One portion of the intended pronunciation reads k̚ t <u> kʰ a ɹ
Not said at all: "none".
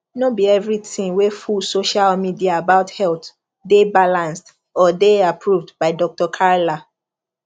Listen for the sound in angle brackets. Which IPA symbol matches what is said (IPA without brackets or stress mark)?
ɔ